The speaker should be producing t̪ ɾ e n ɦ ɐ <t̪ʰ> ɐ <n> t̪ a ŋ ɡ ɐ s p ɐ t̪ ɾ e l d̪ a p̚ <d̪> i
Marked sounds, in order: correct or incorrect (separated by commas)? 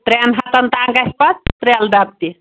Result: incorrect, correct, incorrect